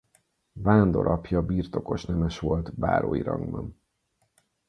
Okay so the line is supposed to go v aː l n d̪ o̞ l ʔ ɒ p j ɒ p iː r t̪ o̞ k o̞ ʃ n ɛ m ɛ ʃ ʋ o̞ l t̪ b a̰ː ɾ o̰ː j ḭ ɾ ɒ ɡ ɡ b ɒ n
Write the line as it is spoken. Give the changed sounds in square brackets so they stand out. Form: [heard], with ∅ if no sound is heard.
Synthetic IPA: v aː [∅] n d̪ o̞ [ɾ] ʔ ɒ p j ɒ [b] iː r t̪ o̞ k o̞ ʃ n ɛ m ɛ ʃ ʋ o̞ l t̪ b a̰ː ɾ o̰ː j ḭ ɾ ɒ [ŋ] ɡ b ɒ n